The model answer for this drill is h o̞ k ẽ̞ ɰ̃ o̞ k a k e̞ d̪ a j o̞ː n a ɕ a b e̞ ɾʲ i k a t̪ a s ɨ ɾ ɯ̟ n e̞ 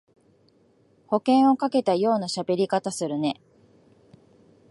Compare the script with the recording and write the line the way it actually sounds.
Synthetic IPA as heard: h o̞ k ẽ̞ ɰ̃ o̞ k a k e̞ t̪ a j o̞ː n a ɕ a b e̞ ɾʲ i k a t̪ a s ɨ ɾ ɯ̟ n e̞